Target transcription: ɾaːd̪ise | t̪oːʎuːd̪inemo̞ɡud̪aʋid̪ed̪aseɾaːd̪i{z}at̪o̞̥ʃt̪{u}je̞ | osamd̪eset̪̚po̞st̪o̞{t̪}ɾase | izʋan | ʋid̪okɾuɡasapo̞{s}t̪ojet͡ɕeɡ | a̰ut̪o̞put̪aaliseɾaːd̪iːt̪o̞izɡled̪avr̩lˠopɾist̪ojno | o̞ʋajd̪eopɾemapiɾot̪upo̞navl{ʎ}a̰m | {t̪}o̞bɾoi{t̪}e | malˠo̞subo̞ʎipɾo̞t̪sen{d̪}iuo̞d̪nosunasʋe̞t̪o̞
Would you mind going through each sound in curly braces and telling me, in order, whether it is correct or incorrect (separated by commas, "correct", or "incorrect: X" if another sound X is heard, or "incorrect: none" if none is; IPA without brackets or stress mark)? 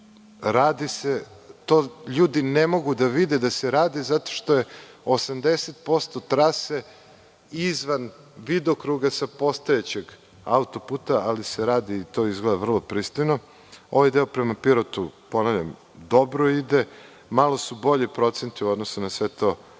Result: correct, incorrect: o, correct, correct, correct, incorrect: d̪, incorrect: d̪, incorrect: t̪